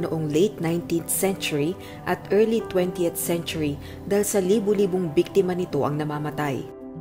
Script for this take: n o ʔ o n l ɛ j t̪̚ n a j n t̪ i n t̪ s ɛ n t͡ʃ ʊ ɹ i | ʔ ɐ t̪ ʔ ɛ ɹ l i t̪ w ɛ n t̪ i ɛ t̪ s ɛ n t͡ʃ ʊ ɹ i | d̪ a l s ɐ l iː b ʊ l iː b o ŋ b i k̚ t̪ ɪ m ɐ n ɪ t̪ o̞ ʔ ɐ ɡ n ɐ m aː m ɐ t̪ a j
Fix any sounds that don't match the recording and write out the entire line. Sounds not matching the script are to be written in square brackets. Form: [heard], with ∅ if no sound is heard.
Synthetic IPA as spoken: n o ʔ o [ŋ] l [e] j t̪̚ n a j n t̪ i n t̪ s ɛ n t͡ʃ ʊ ɹ i | ʔ ɐ t̪ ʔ ɛ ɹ l i t̪ w ɛ n t̪ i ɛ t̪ s ɛ n t͡ʃ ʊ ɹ i | d̪ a l s ɐ l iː b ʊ l iː b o ŋ b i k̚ t̪ ɪ m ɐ n ɪ t̪ o̞ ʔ ɐ [ŋ] n ɐ m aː m ɐ t̪ a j